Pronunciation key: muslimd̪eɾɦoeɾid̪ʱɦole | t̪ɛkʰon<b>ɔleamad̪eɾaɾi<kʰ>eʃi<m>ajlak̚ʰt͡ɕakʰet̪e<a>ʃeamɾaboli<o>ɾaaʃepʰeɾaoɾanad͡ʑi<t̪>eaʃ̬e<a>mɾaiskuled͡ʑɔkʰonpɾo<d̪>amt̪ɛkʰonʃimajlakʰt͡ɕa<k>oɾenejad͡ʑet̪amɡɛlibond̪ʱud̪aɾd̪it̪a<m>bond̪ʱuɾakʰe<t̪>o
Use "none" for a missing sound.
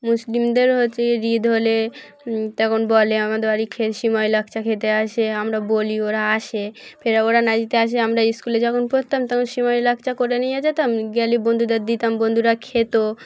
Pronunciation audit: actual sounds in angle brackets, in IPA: b, kʰ, m, a, o, t̪, a, t̪, k, m, t̪

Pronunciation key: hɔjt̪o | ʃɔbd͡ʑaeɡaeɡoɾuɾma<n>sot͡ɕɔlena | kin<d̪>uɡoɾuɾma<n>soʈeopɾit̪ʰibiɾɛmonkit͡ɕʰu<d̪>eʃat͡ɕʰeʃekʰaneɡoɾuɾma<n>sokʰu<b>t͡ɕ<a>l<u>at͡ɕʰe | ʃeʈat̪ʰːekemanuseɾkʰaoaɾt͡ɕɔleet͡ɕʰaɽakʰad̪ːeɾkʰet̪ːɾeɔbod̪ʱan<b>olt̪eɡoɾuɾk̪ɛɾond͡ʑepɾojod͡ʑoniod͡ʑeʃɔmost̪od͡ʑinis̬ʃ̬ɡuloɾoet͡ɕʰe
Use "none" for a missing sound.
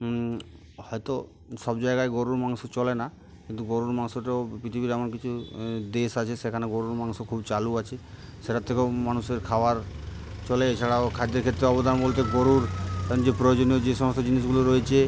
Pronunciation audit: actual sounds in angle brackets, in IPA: ŋ, t̪, ŋ, d̪, ŋ, b, a, u, b

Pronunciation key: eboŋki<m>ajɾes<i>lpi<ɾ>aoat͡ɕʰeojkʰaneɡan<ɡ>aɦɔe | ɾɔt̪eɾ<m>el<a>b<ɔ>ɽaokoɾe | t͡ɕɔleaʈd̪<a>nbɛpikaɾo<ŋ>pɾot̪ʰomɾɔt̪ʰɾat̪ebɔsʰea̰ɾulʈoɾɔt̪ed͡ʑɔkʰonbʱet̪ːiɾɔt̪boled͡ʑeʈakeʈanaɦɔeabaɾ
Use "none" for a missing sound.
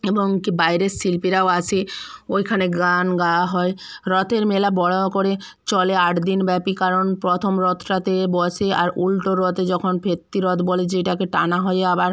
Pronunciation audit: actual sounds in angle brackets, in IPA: b, i, ɾ, ɡ, m, a, ɔ, i, n

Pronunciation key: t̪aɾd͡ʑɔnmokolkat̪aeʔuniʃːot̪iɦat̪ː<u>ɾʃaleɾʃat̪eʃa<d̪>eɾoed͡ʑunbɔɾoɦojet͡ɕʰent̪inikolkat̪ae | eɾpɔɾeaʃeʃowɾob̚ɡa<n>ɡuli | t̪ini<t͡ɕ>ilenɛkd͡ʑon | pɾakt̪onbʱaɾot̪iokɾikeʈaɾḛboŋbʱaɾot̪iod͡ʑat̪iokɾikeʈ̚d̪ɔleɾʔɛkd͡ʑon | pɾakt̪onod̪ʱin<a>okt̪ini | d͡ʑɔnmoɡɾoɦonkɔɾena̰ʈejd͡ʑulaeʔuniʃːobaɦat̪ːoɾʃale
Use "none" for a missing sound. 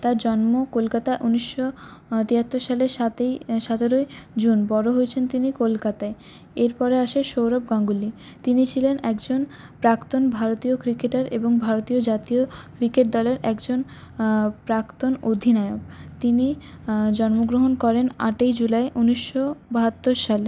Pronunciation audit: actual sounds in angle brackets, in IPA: o, t̪, ŋ, t͡ɕʰ, a

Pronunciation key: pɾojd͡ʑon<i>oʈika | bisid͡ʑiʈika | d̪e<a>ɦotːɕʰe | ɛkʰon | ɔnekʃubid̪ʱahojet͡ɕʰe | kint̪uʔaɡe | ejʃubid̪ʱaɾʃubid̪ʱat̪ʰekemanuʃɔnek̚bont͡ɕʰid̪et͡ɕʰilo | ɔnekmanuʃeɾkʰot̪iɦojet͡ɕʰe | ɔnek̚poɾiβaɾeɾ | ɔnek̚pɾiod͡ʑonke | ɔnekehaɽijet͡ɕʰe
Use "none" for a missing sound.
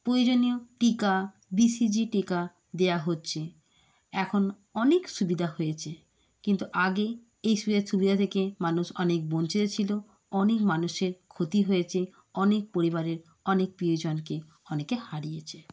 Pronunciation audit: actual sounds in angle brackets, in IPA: i, a

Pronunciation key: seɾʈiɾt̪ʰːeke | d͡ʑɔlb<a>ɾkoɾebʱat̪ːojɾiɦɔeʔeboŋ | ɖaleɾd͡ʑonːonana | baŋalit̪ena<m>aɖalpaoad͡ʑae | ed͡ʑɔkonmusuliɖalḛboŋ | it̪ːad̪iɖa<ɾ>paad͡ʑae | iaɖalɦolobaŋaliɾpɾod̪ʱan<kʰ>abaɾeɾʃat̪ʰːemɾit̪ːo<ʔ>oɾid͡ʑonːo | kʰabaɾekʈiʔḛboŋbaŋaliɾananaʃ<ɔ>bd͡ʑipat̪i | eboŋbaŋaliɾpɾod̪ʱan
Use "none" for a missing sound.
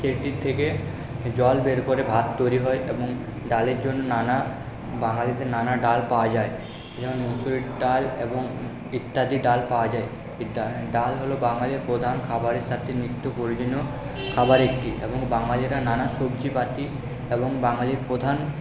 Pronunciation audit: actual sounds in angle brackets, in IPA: e, n, l, kʰ, p, o

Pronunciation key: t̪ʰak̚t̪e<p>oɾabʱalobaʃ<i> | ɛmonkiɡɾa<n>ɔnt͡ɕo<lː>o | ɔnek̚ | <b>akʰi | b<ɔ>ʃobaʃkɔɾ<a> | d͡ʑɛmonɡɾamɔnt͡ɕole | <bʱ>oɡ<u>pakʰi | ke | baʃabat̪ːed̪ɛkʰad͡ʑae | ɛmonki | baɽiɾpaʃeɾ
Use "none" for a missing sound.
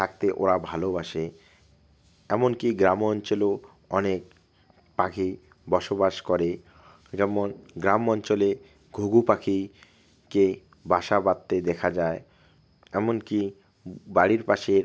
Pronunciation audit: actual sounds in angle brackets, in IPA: ʔ, e, m, l, p, ɔ, e, ɡʱ, u

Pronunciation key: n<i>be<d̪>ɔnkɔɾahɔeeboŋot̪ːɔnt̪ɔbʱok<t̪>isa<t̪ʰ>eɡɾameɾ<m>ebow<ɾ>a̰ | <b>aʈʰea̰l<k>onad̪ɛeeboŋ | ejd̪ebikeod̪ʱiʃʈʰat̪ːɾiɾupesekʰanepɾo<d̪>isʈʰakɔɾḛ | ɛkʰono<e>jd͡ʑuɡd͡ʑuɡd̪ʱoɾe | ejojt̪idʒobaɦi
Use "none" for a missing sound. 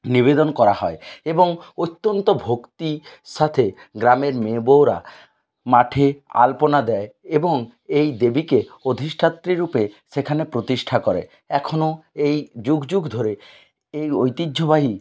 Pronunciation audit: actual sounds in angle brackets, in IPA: i, d̪, t̪, t̪ʰ, m, ɾ, m, p, t̪, e

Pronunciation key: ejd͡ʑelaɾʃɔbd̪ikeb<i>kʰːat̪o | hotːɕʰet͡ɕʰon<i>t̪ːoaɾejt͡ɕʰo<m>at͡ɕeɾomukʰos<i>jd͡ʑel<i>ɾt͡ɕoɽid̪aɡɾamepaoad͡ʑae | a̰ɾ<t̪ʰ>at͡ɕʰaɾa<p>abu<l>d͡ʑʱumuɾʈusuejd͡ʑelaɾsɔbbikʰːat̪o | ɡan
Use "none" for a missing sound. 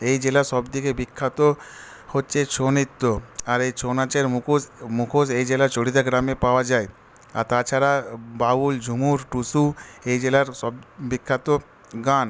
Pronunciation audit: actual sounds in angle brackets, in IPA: i, i, n, e, a, t̪, b, l

